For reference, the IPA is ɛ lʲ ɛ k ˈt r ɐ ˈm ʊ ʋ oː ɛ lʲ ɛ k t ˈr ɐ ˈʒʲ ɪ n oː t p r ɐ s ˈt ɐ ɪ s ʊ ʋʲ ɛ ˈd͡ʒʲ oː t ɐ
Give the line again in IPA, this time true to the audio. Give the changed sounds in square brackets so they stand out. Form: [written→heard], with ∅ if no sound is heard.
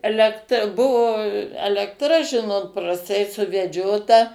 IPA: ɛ lʲ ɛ k ˈt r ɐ [ˈm→ˈb] ʊ ʋ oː ɛ lʲ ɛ k t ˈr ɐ ˈʒʲ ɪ n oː t p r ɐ s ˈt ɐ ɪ s ʊ ʋʲ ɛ ˈd͡ʒʲ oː t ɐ